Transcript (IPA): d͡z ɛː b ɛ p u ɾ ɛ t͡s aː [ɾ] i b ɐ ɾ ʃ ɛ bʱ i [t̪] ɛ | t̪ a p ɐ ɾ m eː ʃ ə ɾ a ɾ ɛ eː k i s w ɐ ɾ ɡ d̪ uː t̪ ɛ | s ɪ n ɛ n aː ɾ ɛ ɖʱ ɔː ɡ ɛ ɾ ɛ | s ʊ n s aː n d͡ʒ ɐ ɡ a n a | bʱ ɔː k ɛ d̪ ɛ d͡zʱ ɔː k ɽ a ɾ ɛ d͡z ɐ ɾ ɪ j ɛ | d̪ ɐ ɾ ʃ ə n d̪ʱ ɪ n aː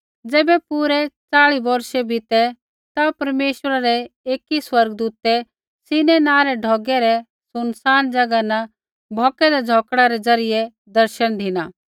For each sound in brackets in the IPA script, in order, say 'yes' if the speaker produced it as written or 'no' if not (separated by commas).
no, yes